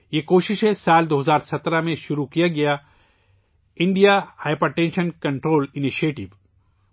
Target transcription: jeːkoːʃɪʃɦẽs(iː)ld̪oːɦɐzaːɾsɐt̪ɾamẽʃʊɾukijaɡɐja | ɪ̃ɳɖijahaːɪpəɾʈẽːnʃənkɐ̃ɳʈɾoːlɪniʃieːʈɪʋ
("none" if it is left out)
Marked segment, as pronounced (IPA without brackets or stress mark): aː